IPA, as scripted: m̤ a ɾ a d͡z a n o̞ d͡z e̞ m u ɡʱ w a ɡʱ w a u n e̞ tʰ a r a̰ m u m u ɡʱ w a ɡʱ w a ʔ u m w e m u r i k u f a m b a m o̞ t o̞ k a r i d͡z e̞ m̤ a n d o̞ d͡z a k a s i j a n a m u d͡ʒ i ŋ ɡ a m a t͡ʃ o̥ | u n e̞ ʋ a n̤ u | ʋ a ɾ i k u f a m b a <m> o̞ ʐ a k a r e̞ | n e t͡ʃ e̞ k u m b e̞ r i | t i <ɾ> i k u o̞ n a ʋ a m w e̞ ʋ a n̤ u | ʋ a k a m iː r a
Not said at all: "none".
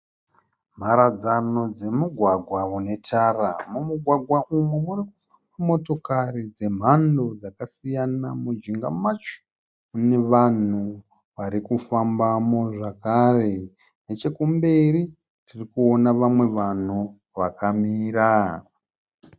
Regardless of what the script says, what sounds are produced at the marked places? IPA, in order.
m, r

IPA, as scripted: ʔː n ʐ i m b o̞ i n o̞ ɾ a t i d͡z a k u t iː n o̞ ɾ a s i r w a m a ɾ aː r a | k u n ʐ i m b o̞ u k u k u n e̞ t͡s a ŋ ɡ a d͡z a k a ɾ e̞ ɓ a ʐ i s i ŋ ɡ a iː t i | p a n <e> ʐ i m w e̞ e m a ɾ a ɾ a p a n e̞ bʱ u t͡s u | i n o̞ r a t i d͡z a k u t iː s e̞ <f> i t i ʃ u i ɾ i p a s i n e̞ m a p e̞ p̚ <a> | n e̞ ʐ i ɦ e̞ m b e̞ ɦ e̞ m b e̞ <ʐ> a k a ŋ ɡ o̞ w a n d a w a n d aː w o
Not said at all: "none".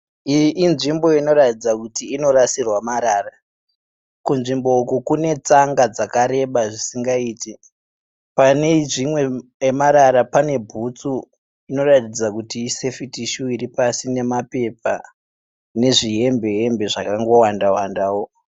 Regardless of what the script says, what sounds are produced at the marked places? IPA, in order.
e, f, a, ʐ

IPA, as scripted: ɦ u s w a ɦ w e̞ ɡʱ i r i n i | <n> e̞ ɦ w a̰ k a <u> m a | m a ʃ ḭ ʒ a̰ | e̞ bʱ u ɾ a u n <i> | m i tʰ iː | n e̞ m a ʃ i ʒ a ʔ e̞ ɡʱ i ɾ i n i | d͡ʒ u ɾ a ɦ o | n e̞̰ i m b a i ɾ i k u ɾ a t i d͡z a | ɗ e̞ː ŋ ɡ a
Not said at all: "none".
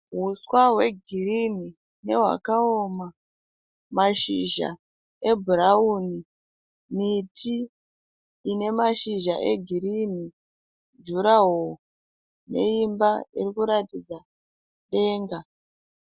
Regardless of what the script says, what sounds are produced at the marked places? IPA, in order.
n, o, i

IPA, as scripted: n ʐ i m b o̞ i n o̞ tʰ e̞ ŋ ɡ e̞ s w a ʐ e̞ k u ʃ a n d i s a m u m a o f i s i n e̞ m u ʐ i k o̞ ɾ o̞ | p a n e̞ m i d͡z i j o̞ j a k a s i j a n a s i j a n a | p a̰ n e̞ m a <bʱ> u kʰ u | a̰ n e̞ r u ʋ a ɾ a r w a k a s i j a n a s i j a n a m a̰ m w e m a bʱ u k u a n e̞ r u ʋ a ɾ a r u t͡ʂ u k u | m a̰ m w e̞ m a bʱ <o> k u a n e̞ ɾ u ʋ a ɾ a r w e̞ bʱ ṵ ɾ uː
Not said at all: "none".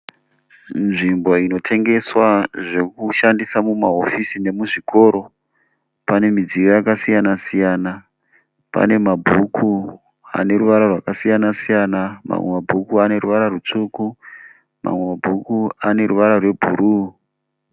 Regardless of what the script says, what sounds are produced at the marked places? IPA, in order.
bʱ, u

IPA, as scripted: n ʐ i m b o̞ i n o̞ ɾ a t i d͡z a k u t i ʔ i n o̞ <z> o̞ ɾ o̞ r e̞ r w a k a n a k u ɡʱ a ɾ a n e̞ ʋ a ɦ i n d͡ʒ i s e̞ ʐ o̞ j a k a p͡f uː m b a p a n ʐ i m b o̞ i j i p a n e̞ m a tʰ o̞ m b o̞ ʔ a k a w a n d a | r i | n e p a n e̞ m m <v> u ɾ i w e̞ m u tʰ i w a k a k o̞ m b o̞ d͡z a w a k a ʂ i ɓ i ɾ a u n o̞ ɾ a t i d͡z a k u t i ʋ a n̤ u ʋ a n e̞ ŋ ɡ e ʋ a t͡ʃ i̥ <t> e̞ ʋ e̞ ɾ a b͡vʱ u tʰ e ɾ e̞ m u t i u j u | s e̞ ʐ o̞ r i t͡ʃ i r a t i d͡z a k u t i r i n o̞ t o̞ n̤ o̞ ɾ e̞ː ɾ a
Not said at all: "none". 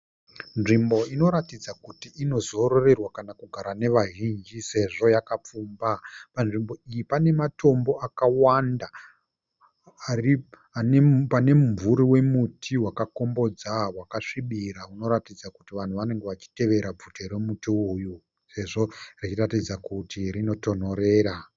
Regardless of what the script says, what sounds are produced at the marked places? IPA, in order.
z, v, t

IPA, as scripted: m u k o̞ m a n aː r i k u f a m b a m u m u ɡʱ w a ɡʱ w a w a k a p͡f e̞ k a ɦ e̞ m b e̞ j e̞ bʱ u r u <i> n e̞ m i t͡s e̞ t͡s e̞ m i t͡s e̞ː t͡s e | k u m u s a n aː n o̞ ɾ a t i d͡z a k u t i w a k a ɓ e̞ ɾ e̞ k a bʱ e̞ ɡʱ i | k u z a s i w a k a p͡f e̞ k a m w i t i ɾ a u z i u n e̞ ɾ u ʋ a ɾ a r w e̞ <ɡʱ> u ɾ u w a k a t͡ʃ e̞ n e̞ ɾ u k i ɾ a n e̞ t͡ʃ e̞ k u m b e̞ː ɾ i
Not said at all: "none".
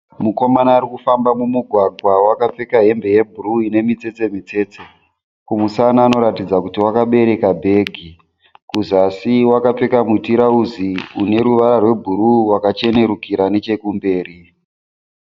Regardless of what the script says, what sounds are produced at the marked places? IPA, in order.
i, bʱ

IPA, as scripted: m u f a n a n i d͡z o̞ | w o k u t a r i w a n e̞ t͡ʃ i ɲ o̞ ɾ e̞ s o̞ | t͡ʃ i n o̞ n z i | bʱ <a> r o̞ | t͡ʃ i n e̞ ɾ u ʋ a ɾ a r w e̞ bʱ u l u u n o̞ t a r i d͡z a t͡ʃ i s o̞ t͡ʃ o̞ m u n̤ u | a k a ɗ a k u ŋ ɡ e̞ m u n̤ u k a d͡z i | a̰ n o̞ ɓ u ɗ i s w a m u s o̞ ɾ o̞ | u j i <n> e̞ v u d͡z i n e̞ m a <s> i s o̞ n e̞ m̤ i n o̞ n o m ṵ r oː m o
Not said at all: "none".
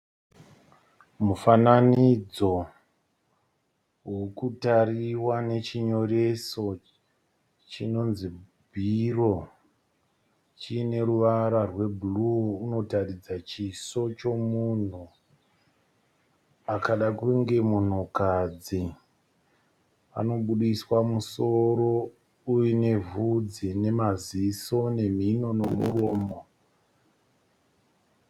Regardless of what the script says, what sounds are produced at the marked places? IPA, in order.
i, n, z

